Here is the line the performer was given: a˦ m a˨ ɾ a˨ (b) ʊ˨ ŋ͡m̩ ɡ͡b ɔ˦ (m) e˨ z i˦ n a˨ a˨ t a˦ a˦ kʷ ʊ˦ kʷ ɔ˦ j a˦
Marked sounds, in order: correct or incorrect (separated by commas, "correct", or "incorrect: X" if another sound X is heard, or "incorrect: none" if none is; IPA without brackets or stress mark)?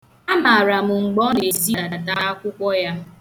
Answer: incorrect: m, incorrect: n